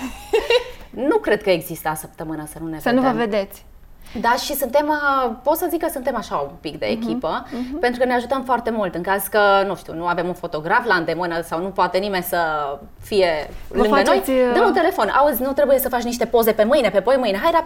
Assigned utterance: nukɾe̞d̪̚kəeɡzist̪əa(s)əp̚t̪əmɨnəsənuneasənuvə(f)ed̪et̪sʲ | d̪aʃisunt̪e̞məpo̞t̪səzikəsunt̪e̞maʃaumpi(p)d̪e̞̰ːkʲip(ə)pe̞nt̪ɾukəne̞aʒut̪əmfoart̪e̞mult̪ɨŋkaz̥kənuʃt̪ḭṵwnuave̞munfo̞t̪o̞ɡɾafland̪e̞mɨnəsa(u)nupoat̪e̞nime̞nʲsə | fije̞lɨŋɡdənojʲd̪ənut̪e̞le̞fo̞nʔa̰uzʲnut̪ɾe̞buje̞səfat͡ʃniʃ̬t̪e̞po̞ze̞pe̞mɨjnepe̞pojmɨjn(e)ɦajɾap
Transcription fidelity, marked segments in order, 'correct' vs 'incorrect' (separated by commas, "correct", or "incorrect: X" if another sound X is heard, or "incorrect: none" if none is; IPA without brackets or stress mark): correct, incorrect: v, incorrect: k, correct, incorrect: w, correct